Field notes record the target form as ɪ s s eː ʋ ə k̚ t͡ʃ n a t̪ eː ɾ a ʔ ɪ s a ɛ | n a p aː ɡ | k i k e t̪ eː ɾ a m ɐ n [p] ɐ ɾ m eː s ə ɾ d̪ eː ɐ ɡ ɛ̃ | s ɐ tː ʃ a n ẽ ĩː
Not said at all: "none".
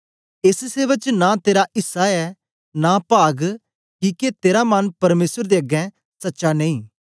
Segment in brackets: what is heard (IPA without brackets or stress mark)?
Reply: p